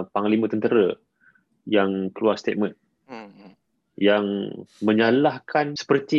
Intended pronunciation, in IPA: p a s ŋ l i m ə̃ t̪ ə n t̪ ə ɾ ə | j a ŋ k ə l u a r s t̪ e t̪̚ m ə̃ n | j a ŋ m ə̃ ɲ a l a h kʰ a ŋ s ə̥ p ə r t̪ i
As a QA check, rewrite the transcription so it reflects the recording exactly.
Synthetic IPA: p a ŋ l i m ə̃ t̪ ə n t̪ ə ɾ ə | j a ŋ k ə l u a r s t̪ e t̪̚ m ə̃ n | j a ŋ m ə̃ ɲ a l a h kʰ a n s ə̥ p ə r t̪ i